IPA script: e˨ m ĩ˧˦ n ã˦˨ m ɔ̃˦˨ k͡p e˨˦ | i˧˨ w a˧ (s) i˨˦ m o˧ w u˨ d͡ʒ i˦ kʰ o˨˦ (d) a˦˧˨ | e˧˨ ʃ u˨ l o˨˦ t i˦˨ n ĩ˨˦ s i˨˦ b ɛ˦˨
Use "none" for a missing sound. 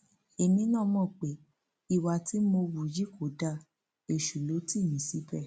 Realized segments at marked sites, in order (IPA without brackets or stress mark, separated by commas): t, d